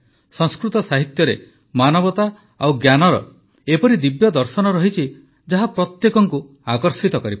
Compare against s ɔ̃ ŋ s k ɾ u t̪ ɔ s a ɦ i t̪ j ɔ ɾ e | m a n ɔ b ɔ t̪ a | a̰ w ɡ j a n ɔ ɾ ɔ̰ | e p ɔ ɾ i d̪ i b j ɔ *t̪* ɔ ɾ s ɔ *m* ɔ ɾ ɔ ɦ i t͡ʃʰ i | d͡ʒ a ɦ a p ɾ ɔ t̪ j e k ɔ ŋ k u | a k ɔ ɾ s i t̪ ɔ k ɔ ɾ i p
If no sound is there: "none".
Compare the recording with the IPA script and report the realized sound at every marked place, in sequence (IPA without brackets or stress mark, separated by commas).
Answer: d̪, n